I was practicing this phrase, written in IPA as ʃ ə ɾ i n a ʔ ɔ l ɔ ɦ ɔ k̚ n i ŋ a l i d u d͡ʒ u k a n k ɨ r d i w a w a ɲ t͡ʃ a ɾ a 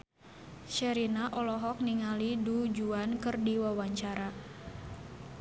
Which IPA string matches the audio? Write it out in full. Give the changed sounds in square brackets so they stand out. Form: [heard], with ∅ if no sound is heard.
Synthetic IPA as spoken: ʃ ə ɾ i n a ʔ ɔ l ɔ ɦ ɔ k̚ n i ŋ a l i d u d͡ʒ u [∅] a n k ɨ r d i w a w a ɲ t͡ʃ a ɾ a

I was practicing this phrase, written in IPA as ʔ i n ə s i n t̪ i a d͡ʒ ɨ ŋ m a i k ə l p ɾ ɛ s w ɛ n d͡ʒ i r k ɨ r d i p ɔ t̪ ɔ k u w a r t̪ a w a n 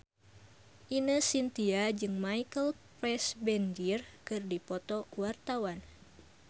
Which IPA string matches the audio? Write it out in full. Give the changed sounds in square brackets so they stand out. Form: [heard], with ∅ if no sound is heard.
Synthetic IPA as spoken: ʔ i n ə s i n t̪ i a d͡ʒ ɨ ŋ m a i k ə l p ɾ ɛ s [b] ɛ n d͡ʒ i r k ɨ r d i p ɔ t̪ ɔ k u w a r t̪ a w a n

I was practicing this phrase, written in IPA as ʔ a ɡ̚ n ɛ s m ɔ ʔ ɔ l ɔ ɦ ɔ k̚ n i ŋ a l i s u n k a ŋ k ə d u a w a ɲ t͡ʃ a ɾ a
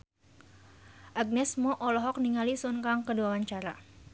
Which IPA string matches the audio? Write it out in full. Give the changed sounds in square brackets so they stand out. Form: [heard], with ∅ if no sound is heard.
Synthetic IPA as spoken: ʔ a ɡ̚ n ɛ s m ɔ ʔ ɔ l ɔ ɦ ɔ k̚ n i ŋ a l i s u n k a ŋ k ə d u a w a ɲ t͡ʃ a ɾ a

